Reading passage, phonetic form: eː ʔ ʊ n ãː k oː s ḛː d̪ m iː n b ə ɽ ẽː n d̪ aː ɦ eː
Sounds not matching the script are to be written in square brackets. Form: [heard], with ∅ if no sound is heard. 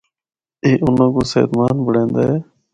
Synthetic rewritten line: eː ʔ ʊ n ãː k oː s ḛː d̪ m [aː] n b ə ɽ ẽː n d̪ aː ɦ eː